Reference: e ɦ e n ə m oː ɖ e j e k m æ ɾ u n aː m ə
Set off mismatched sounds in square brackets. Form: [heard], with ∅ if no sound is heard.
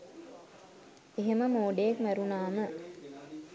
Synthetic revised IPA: e ɦ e [m] ə m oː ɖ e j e k m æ ɾ u n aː m ə